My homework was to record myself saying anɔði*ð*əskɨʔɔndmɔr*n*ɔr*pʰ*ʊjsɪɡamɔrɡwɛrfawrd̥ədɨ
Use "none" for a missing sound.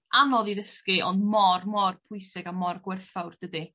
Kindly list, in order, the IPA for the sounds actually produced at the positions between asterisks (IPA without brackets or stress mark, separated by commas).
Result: ð, m, pʰ